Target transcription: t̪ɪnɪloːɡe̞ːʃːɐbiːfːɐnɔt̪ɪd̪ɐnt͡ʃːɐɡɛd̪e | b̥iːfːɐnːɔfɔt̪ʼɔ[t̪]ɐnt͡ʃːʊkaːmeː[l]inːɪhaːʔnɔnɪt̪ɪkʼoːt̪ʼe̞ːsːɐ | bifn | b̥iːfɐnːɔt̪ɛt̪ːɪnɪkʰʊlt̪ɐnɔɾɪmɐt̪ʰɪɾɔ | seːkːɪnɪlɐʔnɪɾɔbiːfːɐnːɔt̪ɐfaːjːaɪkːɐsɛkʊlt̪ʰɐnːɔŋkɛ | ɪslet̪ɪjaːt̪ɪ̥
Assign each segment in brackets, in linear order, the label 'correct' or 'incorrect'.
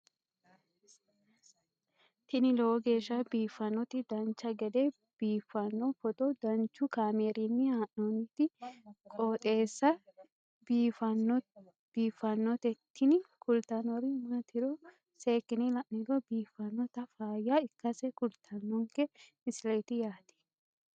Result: incorrect: d̪, incorrect: ɾ

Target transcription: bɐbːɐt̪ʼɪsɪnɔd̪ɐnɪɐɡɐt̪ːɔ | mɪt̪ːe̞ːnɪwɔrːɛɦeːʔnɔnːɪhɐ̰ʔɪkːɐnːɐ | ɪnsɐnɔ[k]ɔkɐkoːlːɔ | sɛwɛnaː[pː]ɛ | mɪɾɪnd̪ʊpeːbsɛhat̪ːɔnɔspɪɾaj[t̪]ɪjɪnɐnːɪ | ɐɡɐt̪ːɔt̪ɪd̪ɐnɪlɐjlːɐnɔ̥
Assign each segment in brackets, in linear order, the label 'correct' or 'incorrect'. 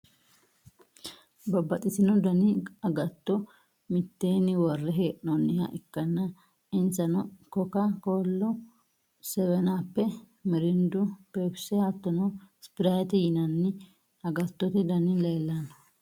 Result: correct, correct, correct

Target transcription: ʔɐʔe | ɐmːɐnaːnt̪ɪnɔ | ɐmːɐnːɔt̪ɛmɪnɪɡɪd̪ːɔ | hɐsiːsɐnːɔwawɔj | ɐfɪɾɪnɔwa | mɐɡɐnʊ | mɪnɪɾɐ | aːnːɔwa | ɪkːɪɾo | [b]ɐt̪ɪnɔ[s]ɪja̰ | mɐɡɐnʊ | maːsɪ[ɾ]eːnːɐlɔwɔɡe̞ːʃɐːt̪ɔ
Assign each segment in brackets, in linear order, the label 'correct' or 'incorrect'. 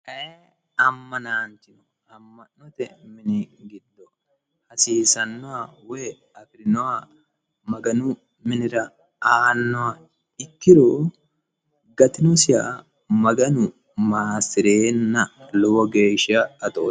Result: incorrect: ɡ, correct, correct

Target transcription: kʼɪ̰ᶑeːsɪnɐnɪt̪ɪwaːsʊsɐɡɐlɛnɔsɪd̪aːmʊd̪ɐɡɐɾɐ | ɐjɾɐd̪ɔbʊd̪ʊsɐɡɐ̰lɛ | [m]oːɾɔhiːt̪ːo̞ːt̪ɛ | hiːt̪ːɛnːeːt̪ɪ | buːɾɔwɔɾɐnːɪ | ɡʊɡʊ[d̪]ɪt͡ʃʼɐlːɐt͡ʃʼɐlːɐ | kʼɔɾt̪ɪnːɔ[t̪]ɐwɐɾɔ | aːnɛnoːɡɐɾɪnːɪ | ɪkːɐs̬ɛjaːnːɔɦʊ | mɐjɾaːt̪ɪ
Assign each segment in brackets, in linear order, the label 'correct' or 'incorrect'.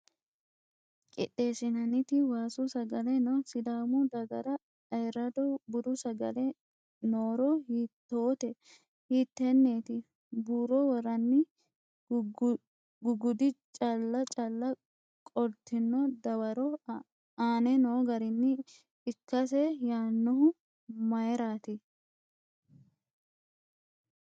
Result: incorrect: n, correct, incorrect: d̪

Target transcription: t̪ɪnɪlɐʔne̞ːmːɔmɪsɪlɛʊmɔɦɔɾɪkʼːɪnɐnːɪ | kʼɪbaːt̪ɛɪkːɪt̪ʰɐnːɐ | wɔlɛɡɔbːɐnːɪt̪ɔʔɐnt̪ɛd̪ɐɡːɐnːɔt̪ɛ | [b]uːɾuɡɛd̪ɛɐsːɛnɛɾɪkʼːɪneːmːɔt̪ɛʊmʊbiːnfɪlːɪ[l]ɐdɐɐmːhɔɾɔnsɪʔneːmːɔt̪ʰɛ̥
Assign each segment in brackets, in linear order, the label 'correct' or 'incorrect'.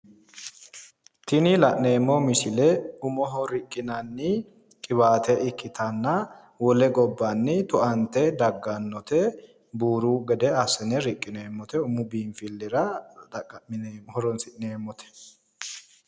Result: correct, incorrect: ɾ

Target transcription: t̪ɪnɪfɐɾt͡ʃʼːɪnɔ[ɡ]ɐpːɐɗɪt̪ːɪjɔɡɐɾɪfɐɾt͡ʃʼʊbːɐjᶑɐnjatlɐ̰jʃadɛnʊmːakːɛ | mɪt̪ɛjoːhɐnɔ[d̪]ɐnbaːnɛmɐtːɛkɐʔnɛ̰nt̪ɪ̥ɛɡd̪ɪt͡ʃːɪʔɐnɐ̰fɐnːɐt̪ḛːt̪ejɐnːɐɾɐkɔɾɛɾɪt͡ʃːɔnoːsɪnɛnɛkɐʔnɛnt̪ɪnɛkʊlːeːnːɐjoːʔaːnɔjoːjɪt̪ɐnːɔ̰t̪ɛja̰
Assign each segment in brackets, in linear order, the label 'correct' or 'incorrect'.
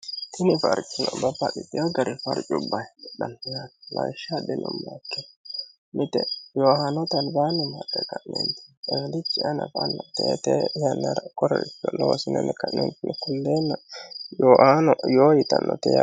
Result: incorrect: b, incorrect: t̪

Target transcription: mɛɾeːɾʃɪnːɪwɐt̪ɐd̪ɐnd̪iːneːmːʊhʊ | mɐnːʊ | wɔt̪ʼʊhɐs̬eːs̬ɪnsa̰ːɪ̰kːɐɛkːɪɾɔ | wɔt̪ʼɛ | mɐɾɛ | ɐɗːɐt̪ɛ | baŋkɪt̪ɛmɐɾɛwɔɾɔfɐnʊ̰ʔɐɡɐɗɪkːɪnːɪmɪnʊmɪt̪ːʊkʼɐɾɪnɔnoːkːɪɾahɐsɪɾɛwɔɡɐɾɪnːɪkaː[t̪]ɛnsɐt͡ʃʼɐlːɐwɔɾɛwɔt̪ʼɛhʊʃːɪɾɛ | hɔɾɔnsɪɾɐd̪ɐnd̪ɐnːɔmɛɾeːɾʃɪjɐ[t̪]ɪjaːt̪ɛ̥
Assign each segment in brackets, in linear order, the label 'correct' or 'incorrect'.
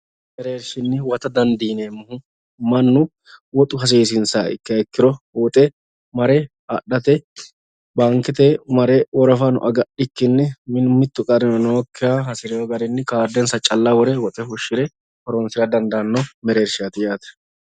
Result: incorrect: d̪, correct

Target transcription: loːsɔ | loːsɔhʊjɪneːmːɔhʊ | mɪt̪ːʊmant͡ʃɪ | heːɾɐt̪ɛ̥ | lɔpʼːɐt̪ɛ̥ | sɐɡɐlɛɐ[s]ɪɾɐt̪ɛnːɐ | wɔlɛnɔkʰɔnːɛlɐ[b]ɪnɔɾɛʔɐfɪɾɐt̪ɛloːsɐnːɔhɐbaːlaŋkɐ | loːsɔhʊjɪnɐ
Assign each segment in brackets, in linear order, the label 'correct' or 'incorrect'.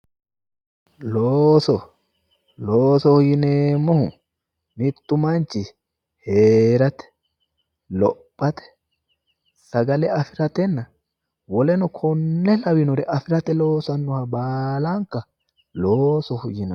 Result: incorrect: f, incorrect: w

